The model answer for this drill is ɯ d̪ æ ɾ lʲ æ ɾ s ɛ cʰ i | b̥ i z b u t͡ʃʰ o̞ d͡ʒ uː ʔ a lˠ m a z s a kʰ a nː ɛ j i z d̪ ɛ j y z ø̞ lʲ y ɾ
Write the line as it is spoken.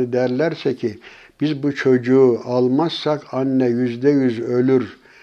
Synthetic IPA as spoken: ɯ d̪ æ ɾ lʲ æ ɾ s ɛ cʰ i | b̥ i z b u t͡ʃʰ o̞ d͡ʒ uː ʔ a lˠ m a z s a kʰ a nː ɛ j y z d̪ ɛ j y z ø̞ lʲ y ɾ